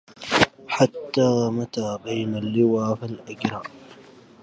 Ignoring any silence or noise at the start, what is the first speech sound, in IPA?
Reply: ħ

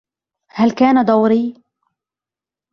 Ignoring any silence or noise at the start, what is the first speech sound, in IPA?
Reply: h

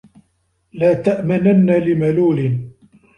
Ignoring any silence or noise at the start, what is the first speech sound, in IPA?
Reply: l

